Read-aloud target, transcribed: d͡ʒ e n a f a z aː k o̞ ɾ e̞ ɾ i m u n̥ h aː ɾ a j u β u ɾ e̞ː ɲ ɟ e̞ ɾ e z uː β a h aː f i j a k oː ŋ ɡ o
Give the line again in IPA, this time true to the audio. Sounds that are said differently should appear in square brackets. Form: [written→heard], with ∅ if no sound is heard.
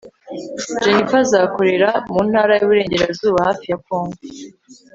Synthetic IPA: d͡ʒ e n [a→i] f a z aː k o̞ ɾ e̞ ɾ [i→a] m u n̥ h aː ɾ a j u β u ɾ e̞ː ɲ ɟ e̞ ɾ [e→a] z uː β a h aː f i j a k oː ŋ ɡ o